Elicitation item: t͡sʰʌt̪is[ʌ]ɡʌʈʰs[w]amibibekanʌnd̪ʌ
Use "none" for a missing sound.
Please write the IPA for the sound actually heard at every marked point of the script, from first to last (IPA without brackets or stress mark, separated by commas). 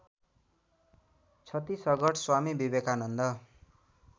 ʌ, w